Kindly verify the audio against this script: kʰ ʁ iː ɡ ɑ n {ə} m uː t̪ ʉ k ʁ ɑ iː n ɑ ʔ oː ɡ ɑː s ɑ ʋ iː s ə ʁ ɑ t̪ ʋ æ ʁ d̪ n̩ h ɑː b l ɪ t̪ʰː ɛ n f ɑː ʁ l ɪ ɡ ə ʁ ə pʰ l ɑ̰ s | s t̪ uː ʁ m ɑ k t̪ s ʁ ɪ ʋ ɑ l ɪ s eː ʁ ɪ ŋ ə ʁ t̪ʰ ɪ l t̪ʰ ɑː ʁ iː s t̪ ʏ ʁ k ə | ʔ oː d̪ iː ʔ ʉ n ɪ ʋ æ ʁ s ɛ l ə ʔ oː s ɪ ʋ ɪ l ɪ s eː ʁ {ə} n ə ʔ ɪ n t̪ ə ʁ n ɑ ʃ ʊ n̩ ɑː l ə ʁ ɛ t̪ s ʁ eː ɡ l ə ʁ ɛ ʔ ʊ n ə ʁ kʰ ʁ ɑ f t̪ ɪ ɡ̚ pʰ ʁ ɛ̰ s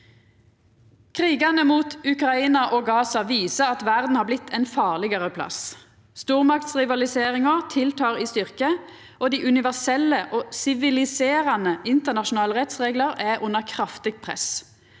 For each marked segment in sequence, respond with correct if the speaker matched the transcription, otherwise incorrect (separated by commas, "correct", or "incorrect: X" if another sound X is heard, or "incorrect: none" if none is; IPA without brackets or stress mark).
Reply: correct, incorrect: ɑ